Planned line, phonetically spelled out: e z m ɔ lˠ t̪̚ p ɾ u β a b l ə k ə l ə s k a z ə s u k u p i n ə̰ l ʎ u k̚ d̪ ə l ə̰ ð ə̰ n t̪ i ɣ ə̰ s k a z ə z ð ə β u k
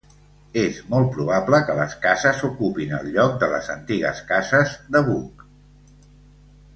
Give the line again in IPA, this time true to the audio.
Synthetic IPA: e z m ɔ lˠ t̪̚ p ɾ u β a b l ə k ə l ə s k a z ə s u k u p i n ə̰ l ʎ ɔ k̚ d̪ ə l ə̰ z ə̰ n t̪ i ɣ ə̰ s k a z ə z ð ə β u k